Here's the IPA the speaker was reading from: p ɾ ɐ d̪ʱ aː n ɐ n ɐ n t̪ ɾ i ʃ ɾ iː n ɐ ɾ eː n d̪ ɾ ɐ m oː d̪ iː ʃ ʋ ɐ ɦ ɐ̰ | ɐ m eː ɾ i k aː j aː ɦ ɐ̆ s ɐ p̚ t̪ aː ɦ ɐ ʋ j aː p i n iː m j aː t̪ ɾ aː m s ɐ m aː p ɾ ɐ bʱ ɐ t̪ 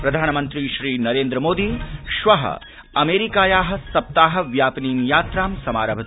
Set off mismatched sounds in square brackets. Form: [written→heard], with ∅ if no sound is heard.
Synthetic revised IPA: p ɾ ɐ d̪ʱ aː n ɐ [n→m] ɐ n t̪ ɾ i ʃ ɾ iː n ɐ ɾ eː n d̪ ɾ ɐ m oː d̪ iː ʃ ʋ ɐ ɦ ɐ̰ | ɐ m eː ɾ i k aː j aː ɦ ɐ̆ s ɐ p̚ t̪ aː ɦ ɐ ʋ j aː p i n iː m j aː t̪ ɾ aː m s ɐ m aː [p→∅] ɾ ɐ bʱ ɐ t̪